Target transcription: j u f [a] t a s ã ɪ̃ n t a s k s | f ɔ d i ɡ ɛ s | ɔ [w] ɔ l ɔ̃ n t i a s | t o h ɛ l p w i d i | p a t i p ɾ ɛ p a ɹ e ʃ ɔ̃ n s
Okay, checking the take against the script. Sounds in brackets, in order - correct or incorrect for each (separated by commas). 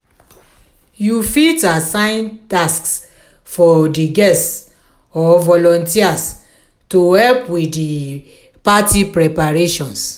incorrect, incorrect